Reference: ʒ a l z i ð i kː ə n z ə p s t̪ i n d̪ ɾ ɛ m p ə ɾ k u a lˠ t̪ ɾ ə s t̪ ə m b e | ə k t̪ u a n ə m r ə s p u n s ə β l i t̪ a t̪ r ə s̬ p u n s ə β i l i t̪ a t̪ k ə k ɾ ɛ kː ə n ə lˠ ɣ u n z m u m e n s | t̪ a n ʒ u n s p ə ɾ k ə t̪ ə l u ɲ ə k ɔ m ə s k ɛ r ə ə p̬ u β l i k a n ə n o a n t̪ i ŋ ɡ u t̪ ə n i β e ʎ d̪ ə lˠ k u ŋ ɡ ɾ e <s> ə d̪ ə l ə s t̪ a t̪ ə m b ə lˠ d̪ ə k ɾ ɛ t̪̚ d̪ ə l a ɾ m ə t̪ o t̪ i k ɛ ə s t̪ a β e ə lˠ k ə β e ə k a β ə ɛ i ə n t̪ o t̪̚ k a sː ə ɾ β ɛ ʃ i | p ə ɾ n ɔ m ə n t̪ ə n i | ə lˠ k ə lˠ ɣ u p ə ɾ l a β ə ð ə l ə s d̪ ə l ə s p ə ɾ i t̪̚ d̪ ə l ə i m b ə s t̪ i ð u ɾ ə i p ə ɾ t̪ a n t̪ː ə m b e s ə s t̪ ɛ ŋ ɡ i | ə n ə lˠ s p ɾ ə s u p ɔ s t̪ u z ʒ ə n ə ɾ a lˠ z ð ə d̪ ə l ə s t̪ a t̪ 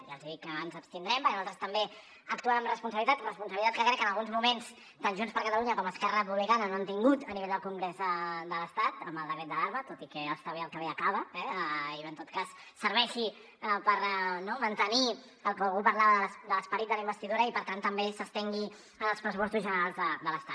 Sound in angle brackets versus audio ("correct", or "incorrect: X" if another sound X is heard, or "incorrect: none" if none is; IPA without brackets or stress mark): incorrect: z